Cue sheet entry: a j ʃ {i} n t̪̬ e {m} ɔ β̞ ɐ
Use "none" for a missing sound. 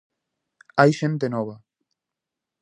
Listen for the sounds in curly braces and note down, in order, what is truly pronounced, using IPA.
e, n

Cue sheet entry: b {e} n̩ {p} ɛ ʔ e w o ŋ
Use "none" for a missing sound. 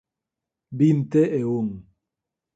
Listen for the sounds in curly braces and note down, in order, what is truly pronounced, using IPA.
i, t

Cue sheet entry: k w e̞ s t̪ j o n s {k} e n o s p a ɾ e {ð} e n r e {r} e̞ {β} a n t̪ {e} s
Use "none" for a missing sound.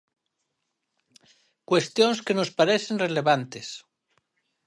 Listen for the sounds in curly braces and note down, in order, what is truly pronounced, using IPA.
k, θ, l, β, e

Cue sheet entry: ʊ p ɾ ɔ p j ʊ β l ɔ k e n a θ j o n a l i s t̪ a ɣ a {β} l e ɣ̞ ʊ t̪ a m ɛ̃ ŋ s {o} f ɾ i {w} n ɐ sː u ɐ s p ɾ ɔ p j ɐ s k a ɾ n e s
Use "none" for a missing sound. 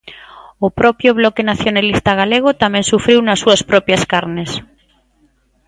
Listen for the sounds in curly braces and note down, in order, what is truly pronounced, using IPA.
none, u, w

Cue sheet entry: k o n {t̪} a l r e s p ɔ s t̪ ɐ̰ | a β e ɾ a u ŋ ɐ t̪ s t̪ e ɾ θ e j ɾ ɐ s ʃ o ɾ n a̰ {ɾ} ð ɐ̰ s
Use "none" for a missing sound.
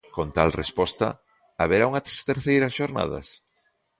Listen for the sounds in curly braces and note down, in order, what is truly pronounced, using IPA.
t̪, none

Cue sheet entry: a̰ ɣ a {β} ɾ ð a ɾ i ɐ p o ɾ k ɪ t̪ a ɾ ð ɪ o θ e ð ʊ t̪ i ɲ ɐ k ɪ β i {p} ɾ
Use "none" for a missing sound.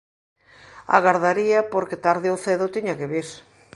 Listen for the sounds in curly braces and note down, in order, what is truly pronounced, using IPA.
none, none

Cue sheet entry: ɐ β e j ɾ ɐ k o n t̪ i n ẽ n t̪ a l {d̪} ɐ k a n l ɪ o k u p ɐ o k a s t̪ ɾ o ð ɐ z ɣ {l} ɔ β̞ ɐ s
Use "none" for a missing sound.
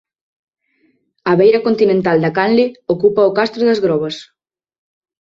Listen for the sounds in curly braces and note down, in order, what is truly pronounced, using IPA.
d̪, ɾ

